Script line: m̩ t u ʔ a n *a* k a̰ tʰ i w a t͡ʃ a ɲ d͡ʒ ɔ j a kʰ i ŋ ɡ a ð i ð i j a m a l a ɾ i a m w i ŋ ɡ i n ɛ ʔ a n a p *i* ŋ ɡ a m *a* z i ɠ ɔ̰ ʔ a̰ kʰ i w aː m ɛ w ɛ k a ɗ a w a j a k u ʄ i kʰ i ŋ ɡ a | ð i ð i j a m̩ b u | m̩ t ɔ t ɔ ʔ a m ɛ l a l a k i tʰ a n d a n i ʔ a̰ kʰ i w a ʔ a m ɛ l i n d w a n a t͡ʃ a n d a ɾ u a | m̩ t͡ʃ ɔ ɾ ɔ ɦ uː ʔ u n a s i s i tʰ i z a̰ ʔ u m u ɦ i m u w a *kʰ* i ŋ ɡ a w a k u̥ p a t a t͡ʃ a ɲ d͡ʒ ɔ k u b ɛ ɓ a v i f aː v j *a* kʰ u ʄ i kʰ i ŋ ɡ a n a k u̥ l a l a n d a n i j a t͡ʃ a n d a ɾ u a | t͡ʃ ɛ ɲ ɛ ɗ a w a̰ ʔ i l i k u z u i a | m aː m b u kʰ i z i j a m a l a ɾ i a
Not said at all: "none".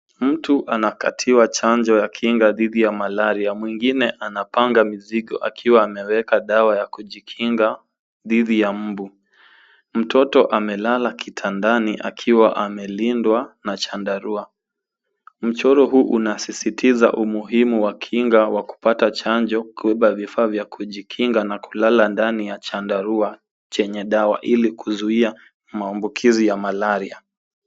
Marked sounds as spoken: a, a, i, kʰ, a

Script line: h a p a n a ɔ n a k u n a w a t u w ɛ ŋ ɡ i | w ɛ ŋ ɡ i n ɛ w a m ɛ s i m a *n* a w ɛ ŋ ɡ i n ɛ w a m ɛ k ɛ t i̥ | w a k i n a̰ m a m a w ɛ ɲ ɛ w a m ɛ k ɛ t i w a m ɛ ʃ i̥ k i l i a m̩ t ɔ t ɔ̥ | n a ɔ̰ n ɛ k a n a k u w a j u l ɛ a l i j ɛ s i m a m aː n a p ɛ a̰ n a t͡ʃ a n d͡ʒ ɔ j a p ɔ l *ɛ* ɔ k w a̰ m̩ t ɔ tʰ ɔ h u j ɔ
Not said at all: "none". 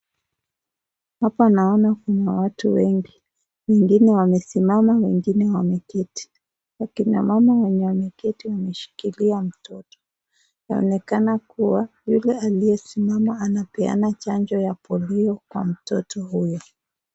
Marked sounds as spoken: m, i

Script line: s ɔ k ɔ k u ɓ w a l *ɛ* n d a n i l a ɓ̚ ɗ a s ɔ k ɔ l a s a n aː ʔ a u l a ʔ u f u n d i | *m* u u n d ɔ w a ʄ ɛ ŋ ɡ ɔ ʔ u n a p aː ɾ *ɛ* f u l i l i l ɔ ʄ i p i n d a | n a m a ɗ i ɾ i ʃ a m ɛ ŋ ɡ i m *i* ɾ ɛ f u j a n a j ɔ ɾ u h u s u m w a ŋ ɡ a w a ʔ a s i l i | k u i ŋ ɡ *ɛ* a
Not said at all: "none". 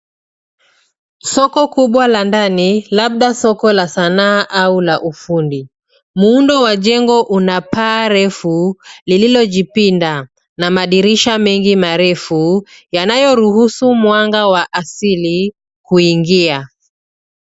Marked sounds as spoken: a, m, ɛ, a, i

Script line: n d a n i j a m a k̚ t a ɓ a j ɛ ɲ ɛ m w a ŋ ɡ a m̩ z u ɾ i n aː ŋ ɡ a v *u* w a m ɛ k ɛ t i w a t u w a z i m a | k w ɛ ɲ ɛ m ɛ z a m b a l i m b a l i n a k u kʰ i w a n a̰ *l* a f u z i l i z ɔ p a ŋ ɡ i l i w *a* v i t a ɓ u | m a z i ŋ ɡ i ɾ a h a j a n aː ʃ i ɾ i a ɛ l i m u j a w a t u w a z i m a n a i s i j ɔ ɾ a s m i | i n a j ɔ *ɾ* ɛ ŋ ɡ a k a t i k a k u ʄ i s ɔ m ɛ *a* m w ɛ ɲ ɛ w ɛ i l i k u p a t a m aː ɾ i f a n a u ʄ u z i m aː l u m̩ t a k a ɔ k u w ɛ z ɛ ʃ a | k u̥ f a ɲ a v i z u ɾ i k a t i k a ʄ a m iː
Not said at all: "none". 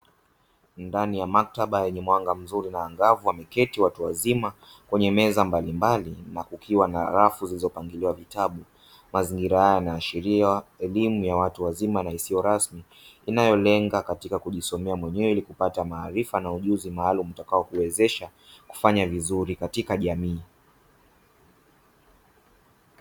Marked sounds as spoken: u, ɾ, a, l, a

